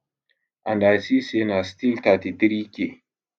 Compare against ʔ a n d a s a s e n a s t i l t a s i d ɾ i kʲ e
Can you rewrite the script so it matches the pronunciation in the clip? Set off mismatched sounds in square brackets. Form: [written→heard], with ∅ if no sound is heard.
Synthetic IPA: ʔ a n d a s [a→i] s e n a s t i l t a [s→t] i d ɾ i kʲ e